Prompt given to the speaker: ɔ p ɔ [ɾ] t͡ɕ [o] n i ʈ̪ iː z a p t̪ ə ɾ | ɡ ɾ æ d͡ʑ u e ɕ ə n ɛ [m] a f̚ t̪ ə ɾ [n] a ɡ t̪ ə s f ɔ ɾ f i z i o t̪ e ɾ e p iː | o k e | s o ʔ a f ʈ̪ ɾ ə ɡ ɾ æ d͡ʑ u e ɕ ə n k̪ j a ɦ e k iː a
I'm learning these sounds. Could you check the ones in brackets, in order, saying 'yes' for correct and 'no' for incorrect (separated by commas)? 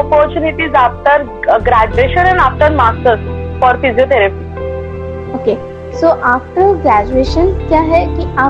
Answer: yes, no, no, no